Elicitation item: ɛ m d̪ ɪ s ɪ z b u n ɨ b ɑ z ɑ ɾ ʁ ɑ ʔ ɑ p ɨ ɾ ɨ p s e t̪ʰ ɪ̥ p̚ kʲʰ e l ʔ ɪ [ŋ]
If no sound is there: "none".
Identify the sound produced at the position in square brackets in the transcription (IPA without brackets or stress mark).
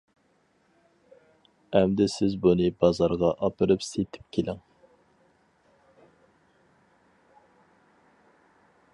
ŋ